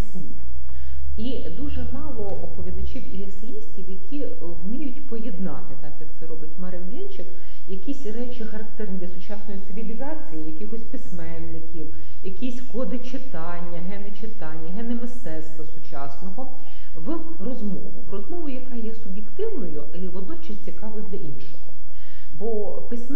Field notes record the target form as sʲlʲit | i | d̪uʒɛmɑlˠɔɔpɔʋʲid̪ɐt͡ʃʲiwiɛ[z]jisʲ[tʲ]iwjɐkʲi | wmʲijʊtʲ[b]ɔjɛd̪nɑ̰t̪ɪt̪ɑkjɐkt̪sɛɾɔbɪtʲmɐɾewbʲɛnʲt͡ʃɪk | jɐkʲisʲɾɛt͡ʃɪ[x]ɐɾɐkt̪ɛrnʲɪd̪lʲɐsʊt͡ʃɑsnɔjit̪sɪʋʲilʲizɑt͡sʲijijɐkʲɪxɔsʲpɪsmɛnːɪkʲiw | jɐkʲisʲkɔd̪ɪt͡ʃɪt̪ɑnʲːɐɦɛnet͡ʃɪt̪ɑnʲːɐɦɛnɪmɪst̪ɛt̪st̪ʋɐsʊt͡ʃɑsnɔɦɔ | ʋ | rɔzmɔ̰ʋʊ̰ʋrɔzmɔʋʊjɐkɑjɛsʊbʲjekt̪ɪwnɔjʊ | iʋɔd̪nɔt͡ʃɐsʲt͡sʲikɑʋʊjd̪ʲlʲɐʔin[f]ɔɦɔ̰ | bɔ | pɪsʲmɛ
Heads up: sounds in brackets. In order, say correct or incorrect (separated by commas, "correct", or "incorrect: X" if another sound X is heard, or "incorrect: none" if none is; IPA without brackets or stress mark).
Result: incorrect: s, correct, incorrect: p, correct, incorrect: ʃ